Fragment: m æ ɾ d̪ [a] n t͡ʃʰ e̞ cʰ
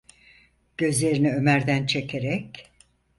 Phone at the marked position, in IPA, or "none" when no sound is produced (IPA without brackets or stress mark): æ